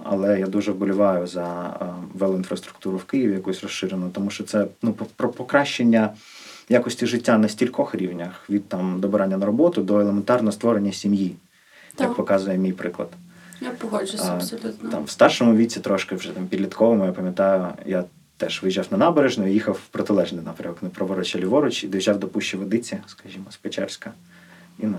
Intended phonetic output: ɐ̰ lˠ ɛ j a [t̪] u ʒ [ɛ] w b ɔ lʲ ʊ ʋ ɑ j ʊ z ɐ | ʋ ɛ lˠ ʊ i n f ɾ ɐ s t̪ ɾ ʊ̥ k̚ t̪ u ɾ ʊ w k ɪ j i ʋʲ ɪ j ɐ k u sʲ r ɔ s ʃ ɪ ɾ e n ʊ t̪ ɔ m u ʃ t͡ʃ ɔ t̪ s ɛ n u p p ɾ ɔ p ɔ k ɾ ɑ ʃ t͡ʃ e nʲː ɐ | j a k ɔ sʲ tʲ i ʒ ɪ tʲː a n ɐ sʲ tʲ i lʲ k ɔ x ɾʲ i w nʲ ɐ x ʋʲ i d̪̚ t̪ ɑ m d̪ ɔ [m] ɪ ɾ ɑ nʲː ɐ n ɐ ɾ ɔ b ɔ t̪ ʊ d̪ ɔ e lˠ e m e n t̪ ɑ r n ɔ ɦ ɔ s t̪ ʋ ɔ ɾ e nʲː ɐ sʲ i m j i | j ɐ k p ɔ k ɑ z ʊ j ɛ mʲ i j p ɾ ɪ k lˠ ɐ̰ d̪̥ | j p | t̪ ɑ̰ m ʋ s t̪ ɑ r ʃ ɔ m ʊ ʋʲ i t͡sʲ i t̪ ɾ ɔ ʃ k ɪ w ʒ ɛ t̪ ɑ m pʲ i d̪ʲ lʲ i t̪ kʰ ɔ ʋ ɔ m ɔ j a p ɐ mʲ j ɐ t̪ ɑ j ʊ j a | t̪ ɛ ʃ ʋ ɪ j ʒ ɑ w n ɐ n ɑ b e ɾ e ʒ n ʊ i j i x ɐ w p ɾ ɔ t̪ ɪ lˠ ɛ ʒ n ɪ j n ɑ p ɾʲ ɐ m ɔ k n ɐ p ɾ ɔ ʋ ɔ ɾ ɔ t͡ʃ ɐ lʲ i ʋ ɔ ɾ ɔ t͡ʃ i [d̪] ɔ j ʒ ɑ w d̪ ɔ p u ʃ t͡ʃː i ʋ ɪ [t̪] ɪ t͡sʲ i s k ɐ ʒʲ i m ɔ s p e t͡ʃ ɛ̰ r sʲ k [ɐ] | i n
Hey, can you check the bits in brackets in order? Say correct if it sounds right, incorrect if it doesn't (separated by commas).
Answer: incorrect, correct, incorrect, correct, incorrect, correct